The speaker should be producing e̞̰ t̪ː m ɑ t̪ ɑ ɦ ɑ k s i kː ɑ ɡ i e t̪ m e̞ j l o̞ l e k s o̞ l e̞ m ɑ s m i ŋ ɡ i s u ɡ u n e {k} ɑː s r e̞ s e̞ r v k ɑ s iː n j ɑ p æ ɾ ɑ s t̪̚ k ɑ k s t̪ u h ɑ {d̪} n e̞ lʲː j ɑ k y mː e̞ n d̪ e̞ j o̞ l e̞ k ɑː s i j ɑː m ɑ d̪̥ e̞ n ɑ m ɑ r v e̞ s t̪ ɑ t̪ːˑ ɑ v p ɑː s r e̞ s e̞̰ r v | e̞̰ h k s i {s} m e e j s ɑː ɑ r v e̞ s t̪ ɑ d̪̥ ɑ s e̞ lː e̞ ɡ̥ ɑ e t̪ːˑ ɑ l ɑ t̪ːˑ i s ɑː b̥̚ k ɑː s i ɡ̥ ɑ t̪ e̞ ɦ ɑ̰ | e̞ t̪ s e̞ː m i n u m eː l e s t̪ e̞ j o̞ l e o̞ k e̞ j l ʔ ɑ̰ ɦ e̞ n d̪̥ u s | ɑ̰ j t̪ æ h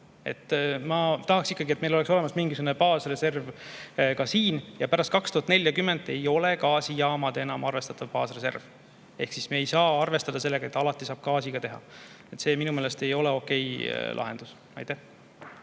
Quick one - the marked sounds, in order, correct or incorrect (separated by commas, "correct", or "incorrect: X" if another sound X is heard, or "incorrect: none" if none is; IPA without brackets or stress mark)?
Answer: incorrect: p, incorrect: t̪, correct